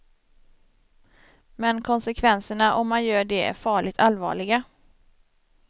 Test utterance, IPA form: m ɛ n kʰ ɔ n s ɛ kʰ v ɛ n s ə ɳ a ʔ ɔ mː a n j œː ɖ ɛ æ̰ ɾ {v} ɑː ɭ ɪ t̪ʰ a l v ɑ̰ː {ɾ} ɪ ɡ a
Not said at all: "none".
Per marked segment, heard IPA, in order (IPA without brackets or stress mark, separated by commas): f, ɭ